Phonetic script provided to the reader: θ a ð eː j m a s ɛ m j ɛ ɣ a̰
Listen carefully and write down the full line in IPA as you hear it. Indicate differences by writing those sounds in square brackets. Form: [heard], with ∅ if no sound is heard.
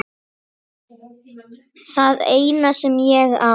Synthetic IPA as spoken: θ a ð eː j [n] a s ɛ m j ɛ ɣ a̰